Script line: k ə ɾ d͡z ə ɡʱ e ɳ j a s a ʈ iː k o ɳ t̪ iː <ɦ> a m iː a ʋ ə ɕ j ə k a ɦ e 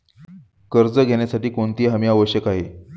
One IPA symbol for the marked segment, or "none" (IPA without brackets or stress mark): ɦ